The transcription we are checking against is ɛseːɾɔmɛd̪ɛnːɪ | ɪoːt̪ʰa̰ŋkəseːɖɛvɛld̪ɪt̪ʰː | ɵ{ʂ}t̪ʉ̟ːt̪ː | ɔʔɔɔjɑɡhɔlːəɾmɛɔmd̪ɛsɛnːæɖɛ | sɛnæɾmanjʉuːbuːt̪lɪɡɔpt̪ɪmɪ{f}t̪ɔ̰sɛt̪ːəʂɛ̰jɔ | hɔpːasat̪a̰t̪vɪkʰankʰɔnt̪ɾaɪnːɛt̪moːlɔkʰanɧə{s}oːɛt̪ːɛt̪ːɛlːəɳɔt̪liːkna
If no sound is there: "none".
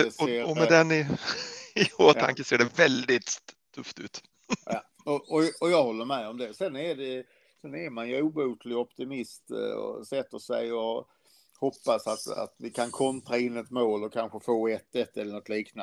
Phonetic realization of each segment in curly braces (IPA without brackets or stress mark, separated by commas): f, s, f